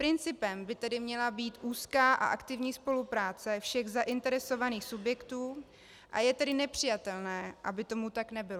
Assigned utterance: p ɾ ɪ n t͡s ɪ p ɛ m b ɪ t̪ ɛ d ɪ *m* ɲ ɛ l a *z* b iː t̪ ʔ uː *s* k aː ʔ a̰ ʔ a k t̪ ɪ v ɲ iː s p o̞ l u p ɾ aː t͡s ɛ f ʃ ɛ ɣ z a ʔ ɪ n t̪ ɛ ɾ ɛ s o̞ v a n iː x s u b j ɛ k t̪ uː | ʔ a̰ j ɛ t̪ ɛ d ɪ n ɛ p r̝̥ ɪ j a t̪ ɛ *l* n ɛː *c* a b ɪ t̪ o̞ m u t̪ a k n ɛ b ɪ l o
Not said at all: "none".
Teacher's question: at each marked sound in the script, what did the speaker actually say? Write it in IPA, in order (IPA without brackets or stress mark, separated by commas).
m, none, s, l, ʔ